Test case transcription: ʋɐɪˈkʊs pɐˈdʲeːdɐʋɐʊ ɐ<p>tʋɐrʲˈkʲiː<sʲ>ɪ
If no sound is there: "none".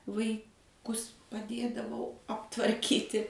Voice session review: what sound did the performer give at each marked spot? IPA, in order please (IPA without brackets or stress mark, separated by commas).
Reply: p, tʲ